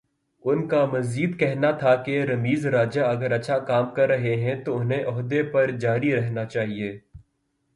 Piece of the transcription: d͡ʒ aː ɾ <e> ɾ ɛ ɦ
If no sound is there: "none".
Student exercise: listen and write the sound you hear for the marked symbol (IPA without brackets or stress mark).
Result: i